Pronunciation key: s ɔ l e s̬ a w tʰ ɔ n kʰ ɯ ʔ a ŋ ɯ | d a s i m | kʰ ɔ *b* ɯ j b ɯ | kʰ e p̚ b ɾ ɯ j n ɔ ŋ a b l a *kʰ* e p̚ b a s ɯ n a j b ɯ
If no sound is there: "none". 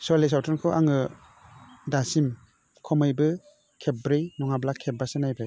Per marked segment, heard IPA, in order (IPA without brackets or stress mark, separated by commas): m, kʰ